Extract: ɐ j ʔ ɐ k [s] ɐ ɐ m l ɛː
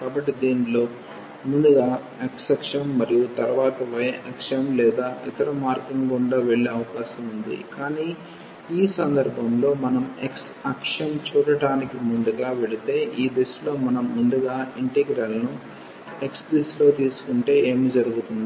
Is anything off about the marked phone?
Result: yes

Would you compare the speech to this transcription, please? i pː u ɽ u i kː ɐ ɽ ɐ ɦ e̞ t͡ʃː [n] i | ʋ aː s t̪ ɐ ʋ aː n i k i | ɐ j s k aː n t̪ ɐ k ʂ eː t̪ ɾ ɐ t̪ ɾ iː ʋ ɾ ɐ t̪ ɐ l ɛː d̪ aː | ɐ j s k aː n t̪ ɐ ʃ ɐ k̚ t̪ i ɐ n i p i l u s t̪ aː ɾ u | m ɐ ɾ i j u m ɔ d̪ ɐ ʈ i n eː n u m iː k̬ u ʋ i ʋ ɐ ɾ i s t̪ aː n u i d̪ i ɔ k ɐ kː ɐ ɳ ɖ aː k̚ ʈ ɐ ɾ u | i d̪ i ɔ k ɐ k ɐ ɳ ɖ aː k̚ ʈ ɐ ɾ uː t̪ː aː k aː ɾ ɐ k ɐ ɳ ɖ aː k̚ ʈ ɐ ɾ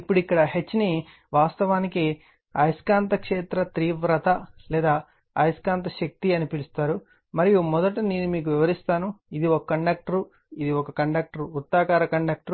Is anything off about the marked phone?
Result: no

